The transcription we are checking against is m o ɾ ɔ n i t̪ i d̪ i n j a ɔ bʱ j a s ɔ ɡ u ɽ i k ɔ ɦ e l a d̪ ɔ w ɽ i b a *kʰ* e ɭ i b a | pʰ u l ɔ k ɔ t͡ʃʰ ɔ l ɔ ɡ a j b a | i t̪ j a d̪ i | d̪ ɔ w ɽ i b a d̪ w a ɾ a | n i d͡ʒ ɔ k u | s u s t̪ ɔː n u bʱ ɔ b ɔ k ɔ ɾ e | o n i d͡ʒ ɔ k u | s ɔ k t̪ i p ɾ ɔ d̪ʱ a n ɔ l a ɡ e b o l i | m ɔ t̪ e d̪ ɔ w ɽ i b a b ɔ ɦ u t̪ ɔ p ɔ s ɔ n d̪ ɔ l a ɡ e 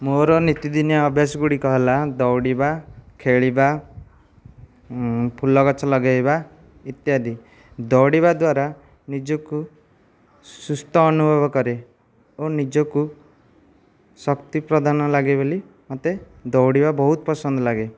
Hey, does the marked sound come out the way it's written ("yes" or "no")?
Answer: yes